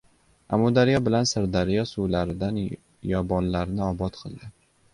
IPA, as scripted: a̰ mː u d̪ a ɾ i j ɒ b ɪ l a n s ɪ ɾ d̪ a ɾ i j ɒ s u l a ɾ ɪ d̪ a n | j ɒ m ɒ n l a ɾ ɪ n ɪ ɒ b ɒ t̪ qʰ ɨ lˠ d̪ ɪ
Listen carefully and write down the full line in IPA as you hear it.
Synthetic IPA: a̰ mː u d̪ a ɾ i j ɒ b ɪ l a n s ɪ ɾ d̪ a ɾ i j ɒ s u l a ɾ ɪ d̪ a n | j ɒ b ɒ n l a ɾ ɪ n ɪ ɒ b ɒ t̪ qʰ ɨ lˠ d̪ ɪ